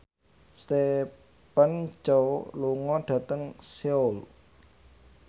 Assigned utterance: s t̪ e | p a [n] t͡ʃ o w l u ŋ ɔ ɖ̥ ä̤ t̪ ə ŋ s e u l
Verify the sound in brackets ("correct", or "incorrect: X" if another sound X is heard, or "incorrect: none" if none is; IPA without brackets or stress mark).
correct